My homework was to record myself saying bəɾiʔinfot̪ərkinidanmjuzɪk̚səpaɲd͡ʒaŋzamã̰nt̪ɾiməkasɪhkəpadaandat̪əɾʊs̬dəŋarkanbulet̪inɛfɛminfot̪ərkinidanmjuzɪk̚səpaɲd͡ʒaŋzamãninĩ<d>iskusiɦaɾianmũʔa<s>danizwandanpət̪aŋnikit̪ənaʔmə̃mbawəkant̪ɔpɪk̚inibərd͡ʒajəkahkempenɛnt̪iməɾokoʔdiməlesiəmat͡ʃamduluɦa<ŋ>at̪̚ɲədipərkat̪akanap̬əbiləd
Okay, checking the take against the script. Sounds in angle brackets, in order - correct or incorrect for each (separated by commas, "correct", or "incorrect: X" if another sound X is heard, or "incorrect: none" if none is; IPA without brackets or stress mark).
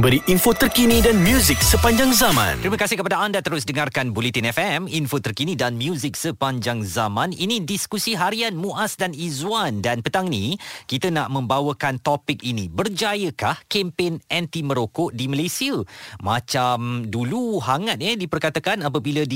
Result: correct, correct, correct